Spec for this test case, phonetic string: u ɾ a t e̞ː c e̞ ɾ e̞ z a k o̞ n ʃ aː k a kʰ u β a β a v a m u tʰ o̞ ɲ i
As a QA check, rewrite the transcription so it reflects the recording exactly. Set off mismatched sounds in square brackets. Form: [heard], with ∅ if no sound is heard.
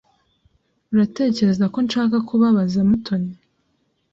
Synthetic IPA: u ɾ a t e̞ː c e̞ ɾ e̞ z a k o̞ n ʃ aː k a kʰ u β a β a [z] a m u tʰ o̞ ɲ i